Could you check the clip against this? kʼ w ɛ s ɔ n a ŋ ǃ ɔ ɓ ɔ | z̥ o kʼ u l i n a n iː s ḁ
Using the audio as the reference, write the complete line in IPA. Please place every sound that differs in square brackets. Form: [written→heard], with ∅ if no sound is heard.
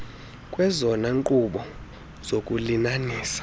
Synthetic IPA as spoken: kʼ w ɛ [s→z] ɔ n a ŋ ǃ [ɔ→u] ɓ ɔ | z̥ o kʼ u l i n a n iː s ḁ